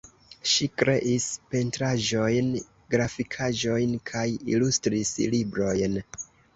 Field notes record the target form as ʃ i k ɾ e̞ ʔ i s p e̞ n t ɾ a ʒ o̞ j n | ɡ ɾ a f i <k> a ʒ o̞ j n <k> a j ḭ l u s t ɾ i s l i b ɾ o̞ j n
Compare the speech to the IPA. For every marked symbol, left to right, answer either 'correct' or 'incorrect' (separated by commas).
incorrect, incorrect